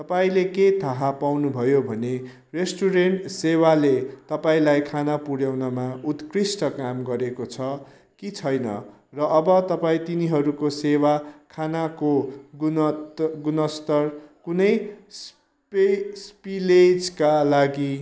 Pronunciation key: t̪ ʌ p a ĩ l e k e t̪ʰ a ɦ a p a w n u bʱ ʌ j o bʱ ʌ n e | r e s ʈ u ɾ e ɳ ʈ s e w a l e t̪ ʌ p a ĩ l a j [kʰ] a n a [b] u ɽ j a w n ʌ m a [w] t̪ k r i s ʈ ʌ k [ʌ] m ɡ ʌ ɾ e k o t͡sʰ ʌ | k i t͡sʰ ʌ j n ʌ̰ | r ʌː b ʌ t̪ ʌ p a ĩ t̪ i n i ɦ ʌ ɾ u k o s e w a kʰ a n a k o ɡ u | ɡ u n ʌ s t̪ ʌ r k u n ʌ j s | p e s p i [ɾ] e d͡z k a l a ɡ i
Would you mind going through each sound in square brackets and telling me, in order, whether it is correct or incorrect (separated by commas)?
correct, incorrect, incorrect, incorrect, incorrect